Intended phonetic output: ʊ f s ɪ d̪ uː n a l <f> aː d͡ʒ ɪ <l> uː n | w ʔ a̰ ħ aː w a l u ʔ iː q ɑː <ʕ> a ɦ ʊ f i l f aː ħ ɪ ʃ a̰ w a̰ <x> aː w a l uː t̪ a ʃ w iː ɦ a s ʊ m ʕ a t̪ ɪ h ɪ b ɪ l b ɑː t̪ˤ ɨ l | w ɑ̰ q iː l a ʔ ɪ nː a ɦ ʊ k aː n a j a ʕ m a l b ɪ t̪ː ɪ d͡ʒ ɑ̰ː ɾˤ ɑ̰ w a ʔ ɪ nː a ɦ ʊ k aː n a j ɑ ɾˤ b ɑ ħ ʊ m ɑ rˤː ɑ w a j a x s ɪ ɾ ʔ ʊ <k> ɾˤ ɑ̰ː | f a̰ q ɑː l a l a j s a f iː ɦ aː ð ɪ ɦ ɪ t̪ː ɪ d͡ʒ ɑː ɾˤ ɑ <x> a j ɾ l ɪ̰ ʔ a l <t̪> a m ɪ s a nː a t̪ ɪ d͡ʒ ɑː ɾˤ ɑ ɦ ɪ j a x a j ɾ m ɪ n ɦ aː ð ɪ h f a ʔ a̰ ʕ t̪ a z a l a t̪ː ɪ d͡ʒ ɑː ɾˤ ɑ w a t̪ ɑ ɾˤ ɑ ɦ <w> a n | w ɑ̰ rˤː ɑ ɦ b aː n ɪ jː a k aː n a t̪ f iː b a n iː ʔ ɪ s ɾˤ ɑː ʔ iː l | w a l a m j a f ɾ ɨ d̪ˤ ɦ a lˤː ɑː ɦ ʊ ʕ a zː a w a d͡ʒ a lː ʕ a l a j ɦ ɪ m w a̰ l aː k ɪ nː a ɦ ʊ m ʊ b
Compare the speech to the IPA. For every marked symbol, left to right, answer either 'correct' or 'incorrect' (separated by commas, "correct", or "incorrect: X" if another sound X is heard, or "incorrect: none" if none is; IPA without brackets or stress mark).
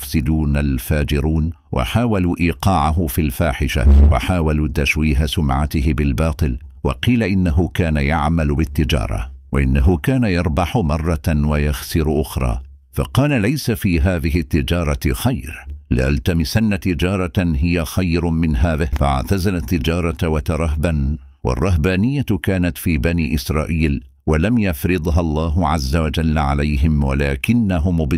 correct, incorrect: ɾ, correct, incorrect: ħ, incorrect: x, correct, correct, incorrect: b